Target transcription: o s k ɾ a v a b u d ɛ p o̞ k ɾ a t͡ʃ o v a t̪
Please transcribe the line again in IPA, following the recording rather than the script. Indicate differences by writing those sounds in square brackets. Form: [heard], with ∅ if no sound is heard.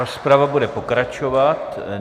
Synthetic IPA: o s [p] ɾ a v a b u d ɛ p o̞ k ɾ a t͡ʃ o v a t̪